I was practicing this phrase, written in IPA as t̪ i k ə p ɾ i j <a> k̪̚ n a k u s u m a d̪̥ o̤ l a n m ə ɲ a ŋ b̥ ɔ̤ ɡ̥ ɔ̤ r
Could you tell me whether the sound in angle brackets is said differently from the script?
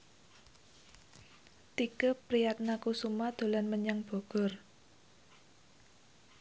no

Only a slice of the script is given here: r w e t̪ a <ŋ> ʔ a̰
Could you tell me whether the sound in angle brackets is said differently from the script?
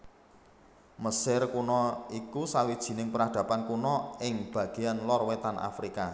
yes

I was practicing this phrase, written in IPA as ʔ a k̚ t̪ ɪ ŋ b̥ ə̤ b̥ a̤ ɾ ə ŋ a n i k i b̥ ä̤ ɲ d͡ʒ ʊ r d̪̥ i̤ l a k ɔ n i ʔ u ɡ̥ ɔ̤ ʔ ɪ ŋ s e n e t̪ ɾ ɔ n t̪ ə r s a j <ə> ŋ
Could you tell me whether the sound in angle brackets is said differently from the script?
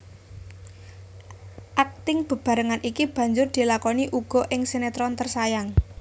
yes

